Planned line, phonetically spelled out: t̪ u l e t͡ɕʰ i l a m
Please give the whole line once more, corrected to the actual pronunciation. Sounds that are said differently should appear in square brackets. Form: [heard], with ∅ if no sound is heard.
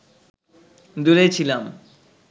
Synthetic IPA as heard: [d̪] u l e t͡ɕʰ i l a m